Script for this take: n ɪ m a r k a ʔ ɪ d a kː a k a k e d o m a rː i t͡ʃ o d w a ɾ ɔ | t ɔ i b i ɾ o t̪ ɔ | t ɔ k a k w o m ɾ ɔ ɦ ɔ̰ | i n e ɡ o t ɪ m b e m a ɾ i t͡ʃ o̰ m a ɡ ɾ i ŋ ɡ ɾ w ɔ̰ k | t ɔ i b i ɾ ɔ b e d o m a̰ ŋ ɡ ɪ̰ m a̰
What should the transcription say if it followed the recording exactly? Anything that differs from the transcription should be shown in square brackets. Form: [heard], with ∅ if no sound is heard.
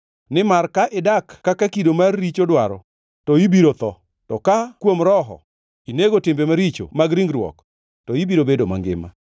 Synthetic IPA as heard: n ɪ m a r k a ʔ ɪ d a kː a k a k [i] d o m a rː i t͡ʃ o d w a ɾ ɔ | t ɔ i b i ɾ o t̪ ɔ | t ɔ k a k w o m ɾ ɔ ɦ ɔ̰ | i n e ɡ o t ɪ m b e m a ɾ i t͡ʃ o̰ m a ɡ ɾ i ŋ ɡ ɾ w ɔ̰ k | t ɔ i b i ɾ [o] b e d o m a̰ ŋ ɡ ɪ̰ m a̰